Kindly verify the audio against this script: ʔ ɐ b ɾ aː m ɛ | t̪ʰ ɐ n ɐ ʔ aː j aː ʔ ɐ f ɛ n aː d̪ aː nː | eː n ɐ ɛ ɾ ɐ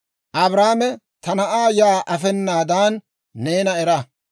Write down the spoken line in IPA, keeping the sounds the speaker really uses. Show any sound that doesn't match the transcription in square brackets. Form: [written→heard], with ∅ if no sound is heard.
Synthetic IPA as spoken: ʔ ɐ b ɾ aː m ɛ | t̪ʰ ɐ n ɐ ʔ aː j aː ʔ ɐ f ɛ [n→nː] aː d̪ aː nː | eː n ɐ ɛ ɾ ɐ

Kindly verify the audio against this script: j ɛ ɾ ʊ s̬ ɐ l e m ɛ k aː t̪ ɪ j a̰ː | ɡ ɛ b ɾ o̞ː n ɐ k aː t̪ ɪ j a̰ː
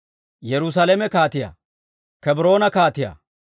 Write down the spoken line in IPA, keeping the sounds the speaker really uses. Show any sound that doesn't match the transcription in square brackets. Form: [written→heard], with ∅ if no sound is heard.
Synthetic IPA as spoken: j ɛ ɾ ʊ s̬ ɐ l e m ɛ k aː t̪ ɪ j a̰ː | [ɡ→k] ɛ b ɾ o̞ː n ɐ k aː t̪ ɪ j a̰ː

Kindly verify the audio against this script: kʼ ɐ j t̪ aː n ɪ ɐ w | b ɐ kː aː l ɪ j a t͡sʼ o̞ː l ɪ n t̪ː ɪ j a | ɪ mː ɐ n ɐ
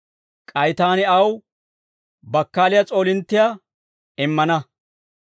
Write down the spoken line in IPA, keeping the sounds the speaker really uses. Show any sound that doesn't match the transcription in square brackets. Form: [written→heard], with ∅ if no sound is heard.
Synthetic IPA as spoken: kʼ ɐ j t̪ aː n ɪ ɐ w | b ɐ kː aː l ɪ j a t͡sʼ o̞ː l ɪ n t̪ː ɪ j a | ɪ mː ɐ n ɐ

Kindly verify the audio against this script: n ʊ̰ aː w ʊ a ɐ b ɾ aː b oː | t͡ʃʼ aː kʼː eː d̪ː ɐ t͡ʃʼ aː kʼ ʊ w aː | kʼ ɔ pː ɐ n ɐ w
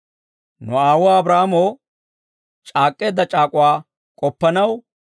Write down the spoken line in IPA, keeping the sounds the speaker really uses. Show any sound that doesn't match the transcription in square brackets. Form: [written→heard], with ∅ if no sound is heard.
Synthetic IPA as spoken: n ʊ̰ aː w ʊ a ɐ b ɾ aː [b→m] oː | t͡ʃʼ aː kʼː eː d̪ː ɐ t͡ʃʼ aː kʼ ʊ w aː | kʼ ɔ pː ɐ n ɐ w

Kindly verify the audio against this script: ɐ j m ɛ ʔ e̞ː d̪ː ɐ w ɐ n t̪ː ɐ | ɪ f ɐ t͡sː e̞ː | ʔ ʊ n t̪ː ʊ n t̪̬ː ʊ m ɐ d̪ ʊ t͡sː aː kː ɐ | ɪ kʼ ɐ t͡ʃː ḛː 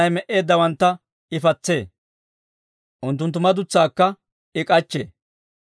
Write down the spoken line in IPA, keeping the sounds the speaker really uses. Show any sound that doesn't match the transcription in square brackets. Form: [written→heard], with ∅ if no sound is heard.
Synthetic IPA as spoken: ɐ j m ɛ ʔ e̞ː d̪ː ɐ w ɐ n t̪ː ɐ | ɪ f ɐ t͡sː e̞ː | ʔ ʊ n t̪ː ʊ n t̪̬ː ʊ m ɐ d̪ ʊ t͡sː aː kː ɐ | ɪ kʼ ɐ t͡ʃː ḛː

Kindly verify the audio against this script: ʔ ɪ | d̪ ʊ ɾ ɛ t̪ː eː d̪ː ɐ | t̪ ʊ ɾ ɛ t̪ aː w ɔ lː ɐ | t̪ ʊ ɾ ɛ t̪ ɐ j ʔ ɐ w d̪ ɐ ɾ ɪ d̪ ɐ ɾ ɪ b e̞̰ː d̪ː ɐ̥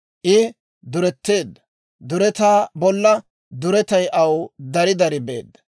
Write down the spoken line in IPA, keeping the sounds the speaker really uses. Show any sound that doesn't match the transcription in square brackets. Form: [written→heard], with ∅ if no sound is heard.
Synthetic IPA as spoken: ʔ ɪ | d̪ ʊ ɾ ɛ t̪ː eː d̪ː ɐ | [t̪→d̪] ʊ ɾ ɛ t̪ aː [w→b] ɔ lː ɐ | [t̪→d̪] ʊ ɾ ɛ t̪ ɐ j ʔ ɐ w d̪ ɐ ɾ ɪ d̪ ɐ ɾ ɪ b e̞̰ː d̪ː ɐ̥

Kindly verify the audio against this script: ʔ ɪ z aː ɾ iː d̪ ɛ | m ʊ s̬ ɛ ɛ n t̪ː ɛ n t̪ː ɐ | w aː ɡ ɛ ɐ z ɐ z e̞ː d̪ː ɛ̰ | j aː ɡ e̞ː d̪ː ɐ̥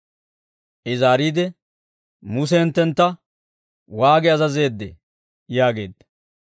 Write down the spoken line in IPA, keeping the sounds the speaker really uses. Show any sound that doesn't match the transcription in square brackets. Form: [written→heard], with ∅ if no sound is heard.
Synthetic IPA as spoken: ʔ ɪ z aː ɾ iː d̪ ɛ | m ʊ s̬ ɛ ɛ n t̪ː ɛ n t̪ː ɐ | w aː ɡ ɛ ɐ z ɐ z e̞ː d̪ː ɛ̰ | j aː ɡ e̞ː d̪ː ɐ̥

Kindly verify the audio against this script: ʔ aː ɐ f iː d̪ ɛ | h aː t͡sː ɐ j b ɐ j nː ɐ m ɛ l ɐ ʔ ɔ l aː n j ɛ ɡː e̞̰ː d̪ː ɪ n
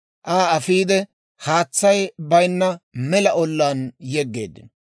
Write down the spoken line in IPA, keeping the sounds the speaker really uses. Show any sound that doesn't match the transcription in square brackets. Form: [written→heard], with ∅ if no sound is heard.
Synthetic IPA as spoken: ʔ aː ɐ f iː d̪ ɛ | h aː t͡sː ɐ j b ɐ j nː ɐ m ɛ l ɐ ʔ ɔ [l→lː] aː n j ɛ ɡː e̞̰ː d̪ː ɪ n

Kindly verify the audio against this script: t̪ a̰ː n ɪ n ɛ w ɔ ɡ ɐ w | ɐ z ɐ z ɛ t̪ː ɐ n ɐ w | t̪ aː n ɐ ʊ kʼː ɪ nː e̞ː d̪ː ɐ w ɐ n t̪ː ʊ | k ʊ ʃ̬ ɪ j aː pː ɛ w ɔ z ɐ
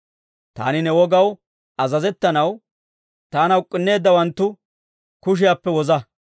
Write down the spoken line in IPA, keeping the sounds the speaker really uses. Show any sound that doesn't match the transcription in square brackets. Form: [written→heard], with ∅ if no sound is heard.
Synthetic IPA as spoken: t̪ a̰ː n ɪ n ɛ w ɔ ɡ ɐ w | ɐ z ɐ z ɛ t̪ː ɐ n ɐ w | t̪ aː n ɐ ʊ kʼː ɪ nː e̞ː d̪ː ɐ w ɐ n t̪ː ʊ | k ʊ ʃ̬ ɪ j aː pː ɛ w ɔ z ɐ

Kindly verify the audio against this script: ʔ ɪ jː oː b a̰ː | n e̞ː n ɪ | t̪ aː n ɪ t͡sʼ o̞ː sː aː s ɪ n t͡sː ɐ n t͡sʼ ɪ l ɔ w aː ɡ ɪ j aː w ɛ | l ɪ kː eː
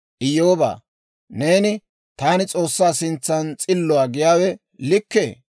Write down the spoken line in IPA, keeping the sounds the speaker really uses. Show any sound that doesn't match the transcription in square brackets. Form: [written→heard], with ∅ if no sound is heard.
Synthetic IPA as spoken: ʔ ɪ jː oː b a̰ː | n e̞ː n ɪ | t̪ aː n ɪ t͡sʼ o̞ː sː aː s ɪ n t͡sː ɐ n t͡sʼ ɪ [l→lː] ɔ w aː ɡ ɪ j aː w ɛ | l ɪ kː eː

